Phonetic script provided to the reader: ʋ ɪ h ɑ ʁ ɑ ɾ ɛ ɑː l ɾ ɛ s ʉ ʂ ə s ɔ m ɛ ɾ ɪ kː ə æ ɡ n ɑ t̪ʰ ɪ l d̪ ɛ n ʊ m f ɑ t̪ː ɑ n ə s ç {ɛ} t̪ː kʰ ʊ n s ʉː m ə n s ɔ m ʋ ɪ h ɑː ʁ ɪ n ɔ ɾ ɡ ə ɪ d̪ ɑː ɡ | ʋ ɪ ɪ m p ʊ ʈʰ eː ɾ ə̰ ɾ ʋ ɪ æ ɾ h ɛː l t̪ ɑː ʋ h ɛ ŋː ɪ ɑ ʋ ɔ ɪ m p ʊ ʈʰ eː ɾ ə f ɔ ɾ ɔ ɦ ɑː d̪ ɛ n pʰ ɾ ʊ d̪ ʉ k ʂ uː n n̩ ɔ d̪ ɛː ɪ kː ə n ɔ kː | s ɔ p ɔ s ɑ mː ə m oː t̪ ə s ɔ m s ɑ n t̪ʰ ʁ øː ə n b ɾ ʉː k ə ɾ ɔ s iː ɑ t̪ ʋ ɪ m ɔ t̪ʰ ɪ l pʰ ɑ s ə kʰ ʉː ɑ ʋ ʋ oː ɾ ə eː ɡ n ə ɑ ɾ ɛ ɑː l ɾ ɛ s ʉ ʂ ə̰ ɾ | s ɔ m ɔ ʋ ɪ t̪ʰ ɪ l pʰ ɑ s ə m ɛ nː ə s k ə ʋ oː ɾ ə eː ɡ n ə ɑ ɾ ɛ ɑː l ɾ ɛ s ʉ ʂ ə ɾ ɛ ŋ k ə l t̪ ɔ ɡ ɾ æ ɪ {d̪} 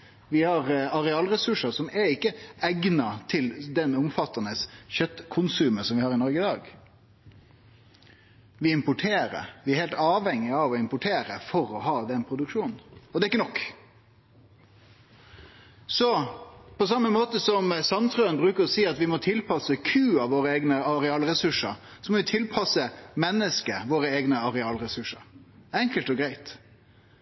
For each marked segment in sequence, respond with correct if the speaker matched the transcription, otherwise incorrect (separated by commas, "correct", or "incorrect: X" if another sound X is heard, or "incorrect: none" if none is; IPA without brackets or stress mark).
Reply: incorrect: œ, incorrect: t̪